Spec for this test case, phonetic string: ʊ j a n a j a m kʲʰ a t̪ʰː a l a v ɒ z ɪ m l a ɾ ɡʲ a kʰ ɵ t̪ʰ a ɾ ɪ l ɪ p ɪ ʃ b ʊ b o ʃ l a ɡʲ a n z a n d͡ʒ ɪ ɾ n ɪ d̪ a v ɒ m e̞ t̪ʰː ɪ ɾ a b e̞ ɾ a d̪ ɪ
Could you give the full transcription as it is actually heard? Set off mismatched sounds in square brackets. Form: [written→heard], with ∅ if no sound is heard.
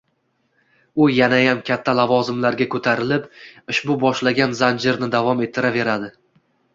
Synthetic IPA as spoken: ʊ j a n a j a m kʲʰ a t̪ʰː a l a v ɒ z ɪ m l a ɾ ɡʲ a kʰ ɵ t̪ʰ a ɾ ɪ l ɪ p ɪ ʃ b ʊ b [o→ɒ] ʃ l a ɡʲ a n z a n d͡ʒ ɪ ɾ n ɪ d̪ a v ɒ m e̞ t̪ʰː ɪ ɾ a [b→v] e̞ ɾ a d̪ ɪ